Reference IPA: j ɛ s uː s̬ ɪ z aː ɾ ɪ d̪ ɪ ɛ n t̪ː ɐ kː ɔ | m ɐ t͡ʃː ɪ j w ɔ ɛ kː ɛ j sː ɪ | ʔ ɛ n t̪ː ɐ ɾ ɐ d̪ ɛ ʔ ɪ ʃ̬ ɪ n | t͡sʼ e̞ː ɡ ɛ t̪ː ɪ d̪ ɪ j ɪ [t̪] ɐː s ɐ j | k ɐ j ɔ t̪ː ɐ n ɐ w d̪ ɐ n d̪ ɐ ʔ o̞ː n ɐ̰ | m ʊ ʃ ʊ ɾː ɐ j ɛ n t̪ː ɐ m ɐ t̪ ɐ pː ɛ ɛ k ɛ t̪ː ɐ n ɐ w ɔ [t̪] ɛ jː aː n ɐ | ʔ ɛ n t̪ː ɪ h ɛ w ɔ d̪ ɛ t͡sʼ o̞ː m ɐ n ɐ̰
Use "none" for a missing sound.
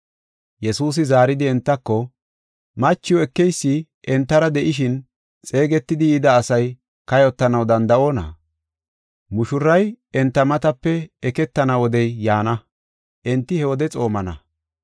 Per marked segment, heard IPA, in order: d̪, d̪

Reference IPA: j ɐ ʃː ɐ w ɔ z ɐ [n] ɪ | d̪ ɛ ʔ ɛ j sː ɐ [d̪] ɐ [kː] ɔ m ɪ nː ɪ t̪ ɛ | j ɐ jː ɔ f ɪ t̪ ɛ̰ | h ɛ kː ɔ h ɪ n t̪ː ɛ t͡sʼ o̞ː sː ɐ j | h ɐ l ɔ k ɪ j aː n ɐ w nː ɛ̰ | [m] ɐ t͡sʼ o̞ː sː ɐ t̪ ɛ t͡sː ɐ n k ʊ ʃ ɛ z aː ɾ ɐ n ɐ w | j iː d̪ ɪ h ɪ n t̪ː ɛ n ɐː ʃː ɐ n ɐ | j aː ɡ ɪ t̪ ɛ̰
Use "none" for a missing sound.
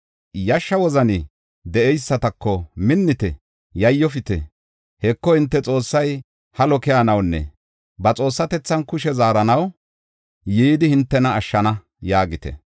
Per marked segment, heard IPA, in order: n, t̪, kː, b

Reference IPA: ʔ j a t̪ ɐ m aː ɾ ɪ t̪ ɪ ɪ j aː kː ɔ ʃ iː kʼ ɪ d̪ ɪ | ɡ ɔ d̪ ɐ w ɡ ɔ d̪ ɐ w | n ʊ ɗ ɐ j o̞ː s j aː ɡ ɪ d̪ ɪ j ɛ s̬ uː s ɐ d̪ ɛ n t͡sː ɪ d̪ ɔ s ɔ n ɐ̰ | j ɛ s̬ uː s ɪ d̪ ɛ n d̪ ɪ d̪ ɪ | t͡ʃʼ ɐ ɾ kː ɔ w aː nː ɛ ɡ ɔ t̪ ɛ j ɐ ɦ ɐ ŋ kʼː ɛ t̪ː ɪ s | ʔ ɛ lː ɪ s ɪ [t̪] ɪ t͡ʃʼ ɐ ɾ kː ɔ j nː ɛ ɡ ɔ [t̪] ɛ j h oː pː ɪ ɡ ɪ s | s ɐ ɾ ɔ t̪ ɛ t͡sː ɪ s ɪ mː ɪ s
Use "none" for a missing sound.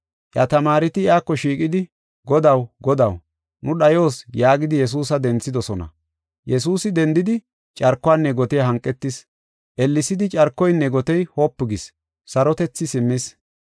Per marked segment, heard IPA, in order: d̪, t̪

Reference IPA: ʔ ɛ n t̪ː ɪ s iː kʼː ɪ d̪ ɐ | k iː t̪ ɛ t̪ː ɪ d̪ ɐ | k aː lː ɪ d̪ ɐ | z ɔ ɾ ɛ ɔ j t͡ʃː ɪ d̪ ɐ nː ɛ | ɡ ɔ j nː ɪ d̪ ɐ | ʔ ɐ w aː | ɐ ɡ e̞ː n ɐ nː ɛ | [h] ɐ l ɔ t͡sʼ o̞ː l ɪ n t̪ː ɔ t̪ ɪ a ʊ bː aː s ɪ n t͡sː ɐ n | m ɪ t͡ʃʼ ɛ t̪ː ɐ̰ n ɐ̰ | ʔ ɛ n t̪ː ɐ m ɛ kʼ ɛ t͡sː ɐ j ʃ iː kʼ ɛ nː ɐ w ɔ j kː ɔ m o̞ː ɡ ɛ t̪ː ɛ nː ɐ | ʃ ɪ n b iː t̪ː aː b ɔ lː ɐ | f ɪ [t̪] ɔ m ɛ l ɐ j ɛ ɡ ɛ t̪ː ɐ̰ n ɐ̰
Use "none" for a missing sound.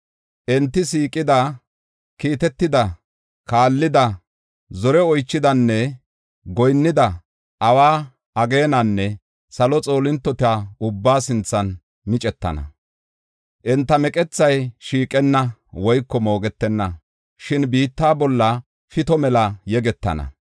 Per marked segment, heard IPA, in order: s, t̪

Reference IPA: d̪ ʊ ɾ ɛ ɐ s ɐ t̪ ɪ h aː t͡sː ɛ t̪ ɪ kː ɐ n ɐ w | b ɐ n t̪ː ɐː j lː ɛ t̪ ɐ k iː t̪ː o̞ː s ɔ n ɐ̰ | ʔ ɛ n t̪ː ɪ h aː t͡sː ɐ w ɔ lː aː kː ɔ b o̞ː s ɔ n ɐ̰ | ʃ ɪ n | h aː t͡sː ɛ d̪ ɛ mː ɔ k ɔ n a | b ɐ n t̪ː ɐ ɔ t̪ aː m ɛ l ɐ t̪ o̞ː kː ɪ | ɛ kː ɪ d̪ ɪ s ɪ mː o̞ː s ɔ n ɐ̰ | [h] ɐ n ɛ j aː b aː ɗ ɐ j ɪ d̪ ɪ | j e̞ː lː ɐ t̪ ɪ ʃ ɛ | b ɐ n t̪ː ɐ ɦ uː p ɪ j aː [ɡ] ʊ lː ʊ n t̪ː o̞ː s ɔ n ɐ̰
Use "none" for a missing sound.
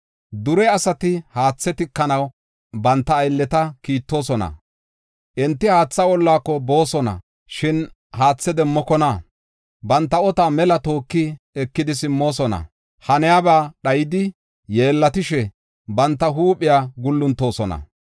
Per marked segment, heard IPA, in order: h, ɡ

